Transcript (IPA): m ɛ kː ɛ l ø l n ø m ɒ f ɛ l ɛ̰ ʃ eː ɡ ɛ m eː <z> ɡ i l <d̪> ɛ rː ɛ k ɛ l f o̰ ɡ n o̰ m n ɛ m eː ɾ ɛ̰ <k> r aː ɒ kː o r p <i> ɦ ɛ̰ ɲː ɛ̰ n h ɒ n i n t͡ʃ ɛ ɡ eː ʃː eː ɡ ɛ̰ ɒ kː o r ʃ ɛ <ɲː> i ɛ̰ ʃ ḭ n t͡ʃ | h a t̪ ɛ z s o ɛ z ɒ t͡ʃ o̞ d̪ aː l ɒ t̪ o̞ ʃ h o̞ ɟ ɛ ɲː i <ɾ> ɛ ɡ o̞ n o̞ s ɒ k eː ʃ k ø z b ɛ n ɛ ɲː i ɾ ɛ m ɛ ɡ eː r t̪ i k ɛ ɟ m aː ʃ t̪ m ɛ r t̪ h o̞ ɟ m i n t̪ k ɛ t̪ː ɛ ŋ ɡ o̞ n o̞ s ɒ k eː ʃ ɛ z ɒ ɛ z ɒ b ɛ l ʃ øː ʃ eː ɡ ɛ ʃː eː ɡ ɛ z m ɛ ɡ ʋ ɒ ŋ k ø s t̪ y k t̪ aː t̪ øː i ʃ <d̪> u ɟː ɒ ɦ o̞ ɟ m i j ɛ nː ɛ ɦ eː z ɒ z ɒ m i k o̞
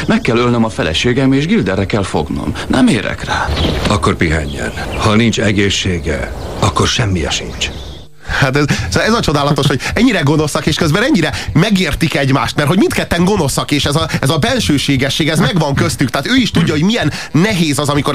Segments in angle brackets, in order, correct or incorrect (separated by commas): incorrect, correct, correct, correct, incorrect, correct, incorrect